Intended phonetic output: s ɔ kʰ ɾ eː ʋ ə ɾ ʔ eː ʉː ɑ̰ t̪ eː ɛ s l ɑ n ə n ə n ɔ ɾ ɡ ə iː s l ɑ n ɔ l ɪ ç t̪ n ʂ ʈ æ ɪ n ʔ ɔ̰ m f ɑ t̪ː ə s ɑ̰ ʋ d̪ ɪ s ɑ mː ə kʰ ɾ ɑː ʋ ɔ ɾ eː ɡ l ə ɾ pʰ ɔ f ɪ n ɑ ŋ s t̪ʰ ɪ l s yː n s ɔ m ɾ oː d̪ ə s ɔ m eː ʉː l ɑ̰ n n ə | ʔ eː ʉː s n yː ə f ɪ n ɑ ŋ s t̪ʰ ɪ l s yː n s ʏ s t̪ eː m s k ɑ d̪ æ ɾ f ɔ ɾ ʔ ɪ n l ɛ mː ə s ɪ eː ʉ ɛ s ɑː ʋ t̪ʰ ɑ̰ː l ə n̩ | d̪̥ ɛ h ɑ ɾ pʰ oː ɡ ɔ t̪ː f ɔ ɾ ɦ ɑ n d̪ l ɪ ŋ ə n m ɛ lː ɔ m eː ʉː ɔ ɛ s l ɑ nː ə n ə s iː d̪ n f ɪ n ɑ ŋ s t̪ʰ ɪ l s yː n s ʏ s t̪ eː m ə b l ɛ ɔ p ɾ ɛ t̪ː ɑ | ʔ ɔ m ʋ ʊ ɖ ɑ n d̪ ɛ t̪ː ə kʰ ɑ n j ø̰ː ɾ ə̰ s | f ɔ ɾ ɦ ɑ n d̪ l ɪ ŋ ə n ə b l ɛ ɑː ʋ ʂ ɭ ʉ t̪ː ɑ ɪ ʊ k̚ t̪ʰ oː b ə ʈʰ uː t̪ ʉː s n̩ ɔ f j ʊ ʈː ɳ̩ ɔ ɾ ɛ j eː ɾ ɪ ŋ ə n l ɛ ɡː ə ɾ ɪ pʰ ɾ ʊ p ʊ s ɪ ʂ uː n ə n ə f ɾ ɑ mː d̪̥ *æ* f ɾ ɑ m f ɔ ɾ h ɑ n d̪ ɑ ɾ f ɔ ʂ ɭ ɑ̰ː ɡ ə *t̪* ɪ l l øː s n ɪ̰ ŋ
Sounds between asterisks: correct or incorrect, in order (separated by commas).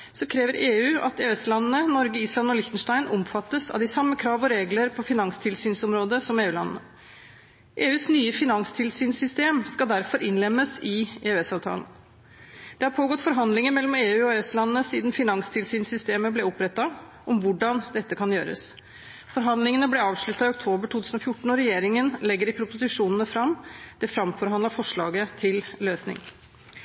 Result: incorrect, incorrect